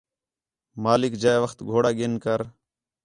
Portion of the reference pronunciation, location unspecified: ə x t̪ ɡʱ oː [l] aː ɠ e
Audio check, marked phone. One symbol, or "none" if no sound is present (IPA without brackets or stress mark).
ɽ